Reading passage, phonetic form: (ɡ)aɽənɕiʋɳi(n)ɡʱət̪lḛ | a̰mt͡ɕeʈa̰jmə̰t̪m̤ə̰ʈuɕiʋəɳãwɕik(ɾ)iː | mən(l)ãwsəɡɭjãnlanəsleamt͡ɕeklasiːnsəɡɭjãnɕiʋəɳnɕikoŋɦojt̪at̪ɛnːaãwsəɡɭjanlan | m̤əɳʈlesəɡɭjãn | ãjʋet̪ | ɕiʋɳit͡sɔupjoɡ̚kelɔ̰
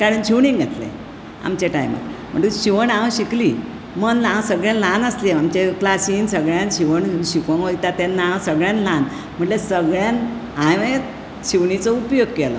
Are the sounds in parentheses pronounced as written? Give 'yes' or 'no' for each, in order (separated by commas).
no, no, no, yes